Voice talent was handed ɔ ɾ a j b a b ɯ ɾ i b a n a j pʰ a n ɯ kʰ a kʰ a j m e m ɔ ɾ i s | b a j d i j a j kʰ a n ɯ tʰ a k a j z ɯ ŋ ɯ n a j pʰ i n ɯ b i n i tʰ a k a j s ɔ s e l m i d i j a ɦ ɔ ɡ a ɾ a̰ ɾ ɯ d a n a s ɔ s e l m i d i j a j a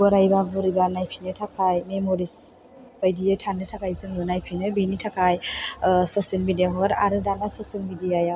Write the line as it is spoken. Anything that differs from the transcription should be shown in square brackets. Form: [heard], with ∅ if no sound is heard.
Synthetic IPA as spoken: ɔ ɾ a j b a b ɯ ɾ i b a n a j pʰ [i] n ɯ [tʰ] a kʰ a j m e m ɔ ɾ i s | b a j d i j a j [tʰ] a n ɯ tʰ a k a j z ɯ ŋ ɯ n a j pʰ i n ɯ b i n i tʰ a k a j s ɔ s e l m i d i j a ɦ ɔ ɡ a ɾ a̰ ɾ ɯ d a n a s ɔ s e l m i d i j a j a